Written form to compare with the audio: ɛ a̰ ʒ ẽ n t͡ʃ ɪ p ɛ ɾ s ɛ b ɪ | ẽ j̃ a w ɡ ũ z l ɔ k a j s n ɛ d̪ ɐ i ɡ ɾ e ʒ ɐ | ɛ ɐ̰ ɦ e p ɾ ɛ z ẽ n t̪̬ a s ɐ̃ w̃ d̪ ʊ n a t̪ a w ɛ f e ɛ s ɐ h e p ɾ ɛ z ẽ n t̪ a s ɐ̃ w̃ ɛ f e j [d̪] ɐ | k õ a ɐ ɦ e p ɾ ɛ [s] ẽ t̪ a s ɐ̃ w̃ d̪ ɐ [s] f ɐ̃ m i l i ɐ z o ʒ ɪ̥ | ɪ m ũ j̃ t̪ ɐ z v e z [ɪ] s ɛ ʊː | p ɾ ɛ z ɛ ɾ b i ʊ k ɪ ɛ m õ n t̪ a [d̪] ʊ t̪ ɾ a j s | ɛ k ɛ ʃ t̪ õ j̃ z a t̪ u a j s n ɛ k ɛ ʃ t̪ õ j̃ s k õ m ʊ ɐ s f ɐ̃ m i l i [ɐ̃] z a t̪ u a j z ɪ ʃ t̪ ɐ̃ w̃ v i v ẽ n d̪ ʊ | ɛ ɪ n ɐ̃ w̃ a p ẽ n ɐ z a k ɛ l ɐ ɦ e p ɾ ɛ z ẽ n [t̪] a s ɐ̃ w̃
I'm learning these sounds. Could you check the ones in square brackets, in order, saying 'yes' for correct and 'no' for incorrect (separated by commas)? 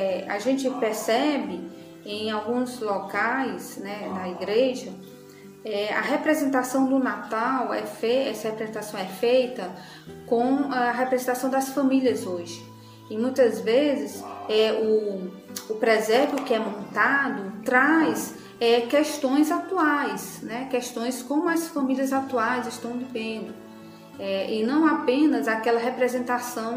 no, no, yes, yes, yes, no, yes